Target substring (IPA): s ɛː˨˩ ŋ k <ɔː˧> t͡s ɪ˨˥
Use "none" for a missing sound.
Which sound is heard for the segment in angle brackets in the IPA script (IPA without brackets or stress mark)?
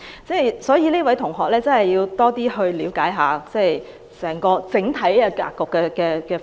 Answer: ɔː˧